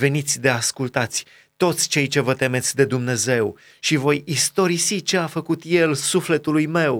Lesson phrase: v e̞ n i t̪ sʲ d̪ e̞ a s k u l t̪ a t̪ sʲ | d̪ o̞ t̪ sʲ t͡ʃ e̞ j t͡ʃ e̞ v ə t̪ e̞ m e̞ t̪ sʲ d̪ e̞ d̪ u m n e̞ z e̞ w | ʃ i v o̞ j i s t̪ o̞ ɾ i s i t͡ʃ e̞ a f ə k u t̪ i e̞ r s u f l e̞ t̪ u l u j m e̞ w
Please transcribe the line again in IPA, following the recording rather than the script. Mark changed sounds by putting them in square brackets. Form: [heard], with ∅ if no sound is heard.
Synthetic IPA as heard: v e̞ n i t̪ sʲ d̪ e̞ a s k u l t̪ a t̪ sʲ | [t̪] o̞ t̪ sʲ t͡ʃ e̞ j t͡ʃ e̞ v ə t̪ e̞ m e̞ t̪ sʲ d̪ e̞ d̪ u m n e̞ z e̞ w | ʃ i v o̞ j i s t̪ o̞ ɾ i s i t͡ʃ e̞ a f ə k u t̪ [j] e̞ [l] s u f l e̞ t̪ u l u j m e̞ w